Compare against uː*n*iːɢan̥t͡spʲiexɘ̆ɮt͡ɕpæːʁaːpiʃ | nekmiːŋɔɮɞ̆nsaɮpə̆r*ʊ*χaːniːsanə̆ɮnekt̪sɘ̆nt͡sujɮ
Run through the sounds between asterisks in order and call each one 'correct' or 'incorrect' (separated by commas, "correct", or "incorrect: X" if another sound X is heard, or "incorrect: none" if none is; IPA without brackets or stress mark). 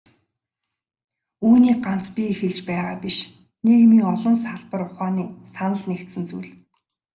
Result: correct, correct